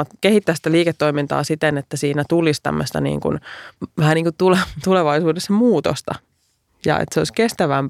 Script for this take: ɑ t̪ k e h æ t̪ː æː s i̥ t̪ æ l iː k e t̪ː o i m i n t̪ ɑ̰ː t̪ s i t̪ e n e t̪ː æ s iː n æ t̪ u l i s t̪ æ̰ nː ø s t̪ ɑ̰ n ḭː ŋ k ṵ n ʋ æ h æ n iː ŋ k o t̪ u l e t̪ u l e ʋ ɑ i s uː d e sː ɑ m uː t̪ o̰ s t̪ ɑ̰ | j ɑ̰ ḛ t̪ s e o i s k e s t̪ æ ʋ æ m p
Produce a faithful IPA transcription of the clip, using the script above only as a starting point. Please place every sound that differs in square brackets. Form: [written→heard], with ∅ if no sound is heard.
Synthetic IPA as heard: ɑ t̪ k e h [æ→i] t̪ː æː s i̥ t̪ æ l iː k e t̪ː o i m i n t̪ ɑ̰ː [t̪→∅] s i t̪ e n e t̪ː æ s iː n æ t̪ u l i s t̪ æ̰ [nː→mː] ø s t̪ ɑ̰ n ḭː ŋ k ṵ n ʋ æ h æ n iː ŋ k [o→u] t̪ u l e t̪ u l e ʋ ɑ i s uː d e sː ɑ m uː t̪ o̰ s t̪ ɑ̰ | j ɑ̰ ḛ t̪ s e o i s k e s t̪ æ ʋ æ m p